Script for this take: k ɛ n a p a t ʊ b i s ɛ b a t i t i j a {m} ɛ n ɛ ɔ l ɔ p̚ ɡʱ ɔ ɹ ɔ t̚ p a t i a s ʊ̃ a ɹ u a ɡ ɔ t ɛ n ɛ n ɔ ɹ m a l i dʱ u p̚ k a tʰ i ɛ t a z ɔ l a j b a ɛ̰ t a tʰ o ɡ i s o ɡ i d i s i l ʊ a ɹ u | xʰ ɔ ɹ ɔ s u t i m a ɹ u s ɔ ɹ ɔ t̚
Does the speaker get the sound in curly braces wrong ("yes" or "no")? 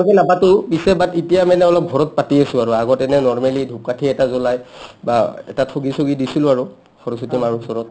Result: no